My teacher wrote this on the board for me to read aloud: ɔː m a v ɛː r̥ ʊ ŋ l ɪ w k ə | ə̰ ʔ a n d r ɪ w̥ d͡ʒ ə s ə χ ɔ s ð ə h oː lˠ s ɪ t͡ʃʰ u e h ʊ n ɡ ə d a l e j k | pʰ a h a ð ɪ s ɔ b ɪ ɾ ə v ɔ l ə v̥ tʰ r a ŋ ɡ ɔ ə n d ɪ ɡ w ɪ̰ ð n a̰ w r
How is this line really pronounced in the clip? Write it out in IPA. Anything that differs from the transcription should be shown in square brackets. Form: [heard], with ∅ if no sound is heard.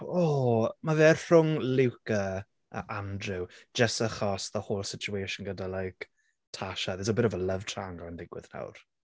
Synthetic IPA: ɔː m a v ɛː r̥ ʊ ŋ l ɪ w k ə | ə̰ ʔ a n d r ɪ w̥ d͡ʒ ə s ə χ ɔ s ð ə h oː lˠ s ɪ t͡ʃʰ u e [ʃ] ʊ n ɡ ə d a l [a] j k | [tʰ] a [ʃ] a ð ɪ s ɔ b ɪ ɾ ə v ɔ l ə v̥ tʰ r a ŋ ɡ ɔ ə n d ɪ ɡ w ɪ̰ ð n a̰ w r